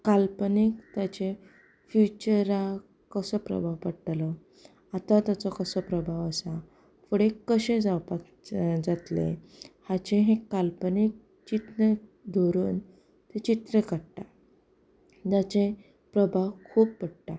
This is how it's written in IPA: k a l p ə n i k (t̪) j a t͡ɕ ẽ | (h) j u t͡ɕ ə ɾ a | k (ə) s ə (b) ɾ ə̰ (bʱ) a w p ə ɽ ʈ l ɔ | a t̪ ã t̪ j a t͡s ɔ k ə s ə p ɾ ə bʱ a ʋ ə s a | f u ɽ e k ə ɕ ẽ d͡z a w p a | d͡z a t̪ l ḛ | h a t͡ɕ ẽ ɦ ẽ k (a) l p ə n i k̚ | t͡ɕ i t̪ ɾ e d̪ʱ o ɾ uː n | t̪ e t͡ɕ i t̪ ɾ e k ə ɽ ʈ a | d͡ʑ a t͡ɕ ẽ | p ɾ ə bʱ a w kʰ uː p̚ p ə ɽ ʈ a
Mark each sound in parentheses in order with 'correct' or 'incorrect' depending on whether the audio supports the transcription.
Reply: correct, incorrect, correct, incorrect, correct, correct

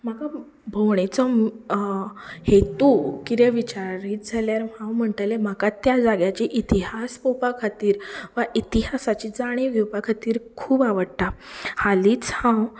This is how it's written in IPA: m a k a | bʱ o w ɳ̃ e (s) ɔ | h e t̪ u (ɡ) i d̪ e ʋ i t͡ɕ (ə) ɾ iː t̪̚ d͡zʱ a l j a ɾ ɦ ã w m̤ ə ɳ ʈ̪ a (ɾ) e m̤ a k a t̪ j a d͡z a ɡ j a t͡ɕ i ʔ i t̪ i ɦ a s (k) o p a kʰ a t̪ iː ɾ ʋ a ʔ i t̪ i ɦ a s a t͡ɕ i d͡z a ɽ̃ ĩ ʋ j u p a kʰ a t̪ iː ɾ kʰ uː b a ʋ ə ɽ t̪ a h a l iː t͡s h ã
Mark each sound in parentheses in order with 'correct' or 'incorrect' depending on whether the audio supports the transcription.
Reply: incorrect, incorrect, incorrect, incorrect, incorrect

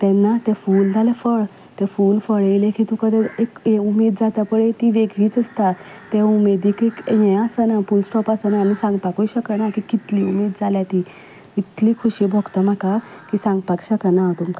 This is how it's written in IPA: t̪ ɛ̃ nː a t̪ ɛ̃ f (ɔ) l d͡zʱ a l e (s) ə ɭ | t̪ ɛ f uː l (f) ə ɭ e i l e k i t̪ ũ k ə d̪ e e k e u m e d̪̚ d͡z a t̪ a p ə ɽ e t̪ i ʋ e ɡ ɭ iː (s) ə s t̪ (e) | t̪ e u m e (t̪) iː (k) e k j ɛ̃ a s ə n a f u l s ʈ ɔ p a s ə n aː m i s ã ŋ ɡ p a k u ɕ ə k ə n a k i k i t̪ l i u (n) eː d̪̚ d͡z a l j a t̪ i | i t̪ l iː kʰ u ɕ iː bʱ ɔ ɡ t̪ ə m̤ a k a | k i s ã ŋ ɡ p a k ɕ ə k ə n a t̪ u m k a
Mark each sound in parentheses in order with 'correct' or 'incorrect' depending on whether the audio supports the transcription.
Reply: incorrect, incorrect, correct, incorrect, incorrect, incorrect, correct, incorrect

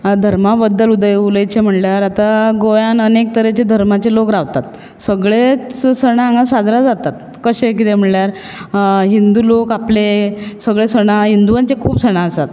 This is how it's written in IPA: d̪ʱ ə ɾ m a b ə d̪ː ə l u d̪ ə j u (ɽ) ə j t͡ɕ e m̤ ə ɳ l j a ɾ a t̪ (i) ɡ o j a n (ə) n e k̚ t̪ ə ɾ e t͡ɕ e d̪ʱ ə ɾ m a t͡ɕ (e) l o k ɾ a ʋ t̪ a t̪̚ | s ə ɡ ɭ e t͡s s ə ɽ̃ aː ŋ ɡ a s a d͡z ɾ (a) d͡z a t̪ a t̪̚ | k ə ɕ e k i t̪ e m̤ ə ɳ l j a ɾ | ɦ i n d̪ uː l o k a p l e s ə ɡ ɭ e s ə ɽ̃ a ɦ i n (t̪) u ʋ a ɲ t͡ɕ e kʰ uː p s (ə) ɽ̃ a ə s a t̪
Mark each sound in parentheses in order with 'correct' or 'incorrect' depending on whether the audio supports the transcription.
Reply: incorrect, incorrect, correct, correct, correct, incorrect, correct

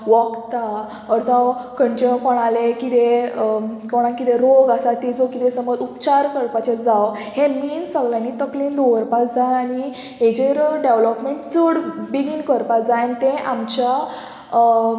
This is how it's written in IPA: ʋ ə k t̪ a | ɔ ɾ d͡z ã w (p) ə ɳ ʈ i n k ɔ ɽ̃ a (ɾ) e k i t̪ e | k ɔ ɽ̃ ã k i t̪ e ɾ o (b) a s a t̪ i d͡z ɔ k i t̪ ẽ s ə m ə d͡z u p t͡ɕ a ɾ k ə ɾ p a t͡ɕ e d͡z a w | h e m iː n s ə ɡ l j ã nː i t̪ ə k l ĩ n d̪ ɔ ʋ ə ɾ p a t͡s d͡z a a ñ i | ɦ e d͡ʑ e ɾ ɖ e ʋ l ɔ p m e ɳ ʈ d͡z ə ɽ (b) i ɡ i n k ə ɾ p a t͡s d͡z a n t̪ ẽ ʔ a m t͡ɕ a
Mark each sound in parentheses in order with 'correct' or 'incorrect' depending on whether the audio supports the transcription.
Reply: incorrect, incorrect, incorrect, correct

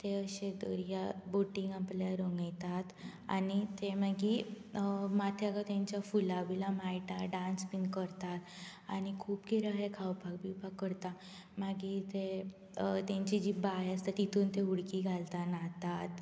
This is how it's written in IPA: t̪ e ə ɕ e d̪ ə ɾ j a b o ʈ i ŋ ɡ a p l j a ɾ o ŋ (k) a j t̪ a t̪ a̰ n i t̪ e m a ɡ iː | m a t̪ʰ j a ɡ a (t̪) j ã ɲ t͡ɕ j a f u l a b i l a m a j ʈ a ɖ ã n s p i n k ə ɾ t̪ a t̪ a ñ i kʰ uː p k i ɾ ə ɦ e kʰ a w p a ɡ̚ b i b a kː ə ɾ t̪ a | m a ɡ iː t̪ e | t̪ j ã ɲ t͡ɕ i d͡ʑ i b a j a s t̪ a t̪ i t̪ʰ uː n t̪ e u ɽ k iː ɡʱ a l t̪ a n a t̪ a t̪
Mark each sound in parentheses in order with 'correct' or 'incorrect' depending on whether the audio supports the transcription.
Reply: incorrect, correct

